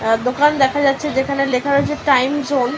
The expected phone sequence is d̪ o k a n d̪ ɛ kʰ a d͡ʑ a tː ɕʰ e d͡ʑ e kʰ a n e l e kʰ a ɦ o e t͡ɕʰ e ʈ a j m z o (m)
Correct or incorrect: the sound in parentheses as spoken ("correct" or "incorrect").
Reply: incorrect